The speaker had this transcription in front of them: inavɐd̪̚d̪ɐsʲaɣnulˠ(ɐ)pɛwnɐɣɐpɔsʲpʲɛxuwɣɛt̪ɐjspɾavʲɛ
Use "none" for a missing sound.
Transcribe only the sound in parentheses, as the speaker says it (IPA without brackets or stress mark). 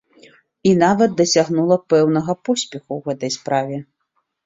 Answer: ɐ